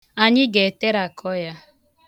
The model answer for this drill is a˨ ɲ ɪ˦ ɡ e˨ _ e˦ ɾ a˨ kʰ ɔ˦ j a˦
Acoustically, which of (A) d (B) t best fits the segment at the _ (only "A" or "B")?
B